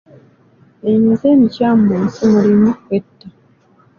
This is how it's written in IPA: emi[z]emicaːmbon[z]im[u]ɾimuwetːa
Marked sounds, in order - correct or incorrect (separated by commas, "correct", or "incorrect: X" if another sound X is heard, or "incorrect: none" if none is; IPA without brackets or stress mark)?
correct, incorrect: s, correct